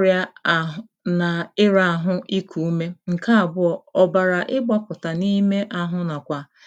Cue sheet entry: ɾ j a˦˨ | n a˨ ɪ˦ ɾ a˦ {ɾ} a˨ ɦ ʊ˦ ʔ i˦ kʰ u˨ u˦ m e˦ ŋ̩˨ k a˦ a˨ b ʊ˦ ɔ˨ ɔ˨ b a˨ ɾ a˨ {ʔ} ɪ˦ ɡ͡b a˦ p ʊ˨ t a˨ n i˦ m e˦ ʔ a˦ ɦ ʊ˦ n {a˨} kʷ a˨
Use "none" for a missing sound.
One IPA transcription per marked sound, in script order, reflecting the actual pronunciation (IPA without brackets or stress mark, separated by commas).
none, ʔ, a˨